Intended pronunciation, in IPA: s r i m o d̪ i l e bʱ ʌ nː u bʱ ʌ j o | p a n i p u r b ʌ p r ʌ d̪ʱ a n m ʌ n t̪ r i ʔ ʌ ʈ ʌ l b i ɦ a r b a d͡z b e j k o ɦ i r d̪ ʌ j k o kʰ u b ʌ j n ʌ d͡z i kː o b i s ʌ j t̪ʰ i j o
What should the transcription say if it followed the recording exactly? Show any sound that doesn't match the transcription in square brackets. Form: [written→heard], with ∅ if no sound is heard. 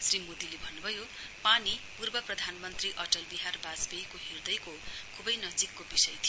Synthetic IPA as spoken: s r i m o d̪ i l e bʱ ʌ nː u bʱ ʌ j o | p a n i p u r b ʌ p r ʌ d̪ʱ a n m ʌ n t̪ r i ʔ ʌ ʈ ʌ l b i ɦ a r b a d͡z b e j k o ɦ i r d̪ ʌ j k o kʰ u b ʌ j n ʌ d͡z i kː o b i s ʌ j t̪ʰ i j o